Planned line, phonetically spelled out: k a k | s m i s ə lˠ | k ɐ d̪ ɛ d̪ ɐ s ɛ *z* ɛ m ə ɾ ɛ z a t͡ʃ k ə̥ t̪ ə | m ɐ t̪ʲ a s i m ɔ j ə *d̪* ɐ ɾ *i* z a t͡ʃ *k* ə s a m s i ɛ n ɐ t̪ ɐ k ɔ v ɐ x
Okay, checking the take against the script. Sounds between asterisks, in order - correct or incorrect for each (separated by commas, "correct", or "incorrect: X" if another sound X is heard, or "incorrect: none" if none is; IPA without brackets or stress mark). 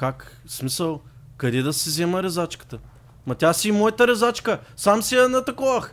correct, incorrect: t̪, incorrect: ɛ, correct